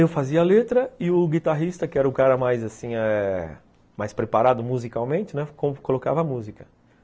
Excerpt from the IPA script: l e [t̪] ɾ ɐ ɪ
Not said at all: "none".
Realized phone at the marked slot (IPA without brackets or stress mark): t̪